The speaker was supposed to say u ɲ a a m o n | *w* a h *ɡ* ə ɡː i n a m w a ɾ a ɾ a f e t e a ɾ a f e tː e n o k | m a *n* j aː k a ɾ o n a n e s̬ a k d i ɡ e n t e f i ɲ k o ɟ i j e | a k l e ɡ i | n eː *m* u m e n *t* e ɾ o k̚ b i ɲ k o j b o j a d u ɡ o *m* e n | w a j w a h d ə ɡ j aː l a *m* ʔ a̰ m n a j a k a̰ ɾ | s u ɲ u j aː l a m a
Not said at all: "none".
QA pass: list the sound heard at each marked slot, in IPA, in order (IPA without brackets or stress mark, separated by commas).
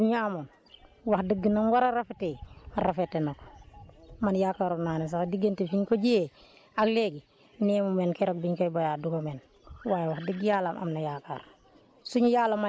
w, d, n, m, k, m, m